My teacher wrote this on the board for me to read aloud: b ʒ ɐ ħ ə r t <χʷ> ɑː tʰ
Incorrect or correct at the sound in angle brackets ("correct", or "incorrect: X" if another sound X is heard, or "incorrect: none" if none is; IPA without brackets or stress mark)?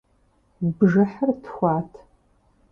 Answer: incorrect: xʷ